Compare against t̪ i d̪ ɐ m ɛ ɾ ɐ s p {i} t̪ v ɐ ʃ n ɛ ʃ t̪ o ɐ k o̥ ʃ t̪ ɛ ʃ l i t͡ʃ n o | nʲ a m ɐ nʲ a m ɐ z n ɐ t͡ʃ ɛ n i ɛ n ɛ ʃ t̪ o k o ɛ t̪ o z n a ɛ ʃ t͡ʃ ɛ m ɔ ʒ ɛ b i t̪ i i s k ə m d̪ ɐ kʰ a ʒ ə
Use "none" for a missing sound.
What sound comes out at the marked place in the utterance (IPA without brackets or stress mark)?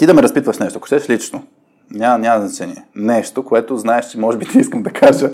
i